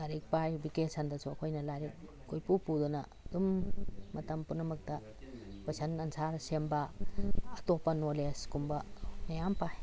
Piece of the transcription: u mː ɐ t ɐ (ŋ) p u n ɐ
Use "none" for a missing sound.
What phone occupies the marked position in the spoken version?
m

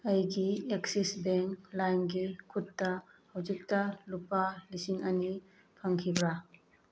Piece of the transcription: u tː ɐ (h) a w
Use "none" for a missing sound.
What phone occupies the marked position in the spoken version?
h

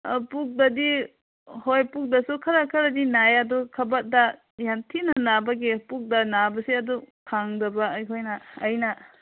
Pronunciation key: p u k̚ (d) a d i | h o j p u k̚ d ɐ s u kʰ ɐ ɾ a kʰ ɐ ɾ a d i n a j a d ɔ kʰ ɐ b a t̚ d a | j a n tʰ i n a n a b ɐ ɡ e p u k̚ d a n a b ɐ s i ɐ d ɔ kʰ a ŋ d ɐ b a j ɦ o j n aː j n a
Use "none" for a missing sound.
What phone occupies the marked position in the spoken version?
d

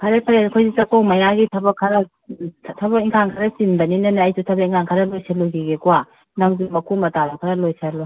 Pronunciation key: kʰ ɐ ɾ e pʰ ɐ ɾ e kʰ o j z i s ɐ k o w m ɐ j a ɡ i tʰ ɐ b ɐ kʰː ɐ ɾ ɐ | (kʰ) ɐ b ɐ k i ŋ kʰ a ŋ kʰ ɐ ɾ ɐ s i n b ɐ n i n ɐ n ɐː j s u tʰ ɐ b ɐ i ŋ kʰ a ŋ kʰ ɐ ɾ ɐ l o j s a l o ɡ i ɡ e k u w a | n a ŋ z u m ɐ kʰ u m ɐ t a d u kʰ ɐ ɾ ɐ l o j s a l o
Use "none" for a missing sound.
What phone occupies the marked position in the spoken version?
tʰ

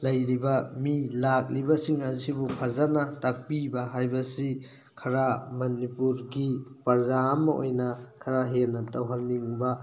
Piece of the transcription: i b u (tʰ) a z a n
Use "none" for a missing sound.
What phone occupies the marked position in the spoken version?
pʰ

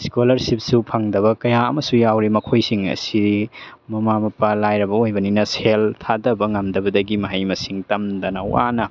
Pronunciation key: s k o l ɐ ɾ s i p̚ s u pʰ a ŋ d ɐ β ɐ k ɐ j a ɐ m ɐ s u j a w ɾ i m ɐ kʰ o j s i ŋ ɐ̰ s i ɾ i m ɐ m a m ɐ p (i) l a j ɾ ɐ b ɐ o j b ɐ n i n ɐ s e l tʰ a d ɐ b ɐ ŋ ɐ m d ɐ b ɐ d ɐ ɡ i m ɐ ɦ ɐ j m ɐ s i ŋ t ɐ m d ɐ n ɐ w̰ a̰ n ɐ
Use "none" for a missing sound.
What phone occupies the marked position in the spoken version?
a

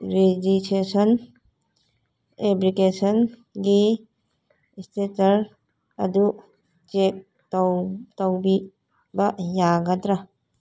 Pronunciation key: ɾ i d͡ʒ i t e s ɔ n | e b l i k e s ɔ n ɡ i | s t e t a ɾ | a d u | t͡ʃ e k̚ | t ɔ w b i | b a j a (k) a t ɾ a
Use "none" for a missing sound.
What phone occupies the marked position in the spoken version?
ɡ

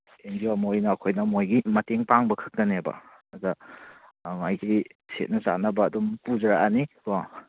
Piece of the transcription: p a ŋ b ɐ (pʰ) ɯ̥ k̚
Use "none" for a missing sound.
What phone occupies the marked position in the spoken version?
kʰ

